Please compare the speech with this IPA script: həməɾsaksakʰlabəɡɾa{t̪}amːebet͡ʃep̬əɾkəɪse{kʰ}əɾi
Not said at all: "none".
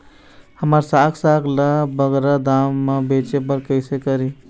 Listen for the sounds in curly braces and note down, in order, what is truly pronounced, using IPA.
d̪, k

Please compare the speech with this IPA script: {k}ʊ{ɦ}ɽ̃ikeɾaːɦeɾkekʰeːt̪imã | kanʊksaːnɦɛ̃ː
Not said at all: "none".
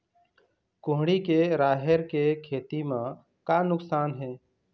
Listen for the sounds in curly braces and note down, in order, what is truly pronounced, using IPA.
k, ɦ

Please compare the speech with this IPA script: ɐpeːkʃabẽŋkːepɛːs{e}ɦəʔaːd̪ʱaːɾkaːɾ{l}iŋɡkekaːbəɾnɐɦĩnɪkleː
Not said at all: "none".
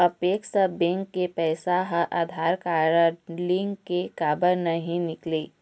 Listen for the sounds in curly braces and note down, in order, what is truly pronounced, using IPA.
a, l

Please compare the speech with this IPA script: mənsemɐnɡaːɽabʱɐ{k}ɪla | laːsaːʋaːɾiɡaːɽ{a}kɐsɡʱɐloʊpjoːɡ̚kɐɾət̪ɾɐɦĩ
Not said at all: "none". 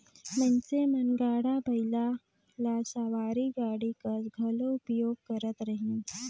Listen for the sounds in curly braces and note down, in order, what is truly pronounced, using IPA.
none, i

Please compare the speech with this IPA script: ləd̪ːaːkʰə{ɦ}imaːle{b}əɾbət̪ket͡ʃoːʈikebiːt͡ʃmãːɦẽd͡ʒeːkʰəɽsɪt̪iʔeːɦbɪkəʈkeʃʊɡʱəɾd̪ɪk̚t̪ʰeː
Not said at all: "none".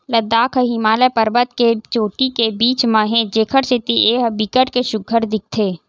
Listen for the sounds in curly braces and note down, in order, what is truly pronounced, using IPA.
ɦ, p

